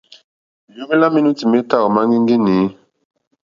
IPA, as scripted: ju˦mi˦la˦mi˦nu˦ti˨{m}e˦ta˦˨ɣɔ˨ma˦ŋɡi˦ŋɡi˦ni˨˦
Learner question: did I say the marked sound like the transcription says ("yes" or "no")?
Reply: yes